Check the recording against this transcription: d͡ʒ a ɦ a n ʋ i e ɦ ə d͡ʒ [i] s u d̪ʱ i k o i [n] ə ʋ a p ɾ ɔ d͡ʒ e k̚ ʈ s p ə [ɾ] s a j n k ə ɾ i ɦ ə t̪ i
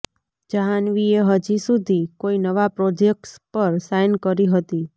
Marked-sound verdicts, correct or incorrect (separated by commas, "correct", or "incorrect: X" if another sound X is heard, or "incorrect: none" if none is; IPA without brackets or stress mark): correct, correct, correct